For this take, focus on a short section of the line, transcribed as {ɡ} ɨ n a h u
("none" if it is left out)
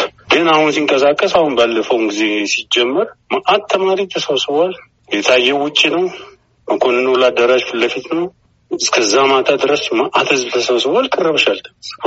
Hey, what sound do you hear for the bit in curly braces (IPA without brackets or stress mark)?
ɡ